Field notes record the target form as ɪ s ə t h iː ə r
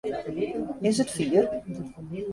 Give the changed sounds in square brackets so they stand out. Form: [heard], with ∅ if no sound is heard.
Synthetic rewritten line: ɪ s ə t [f] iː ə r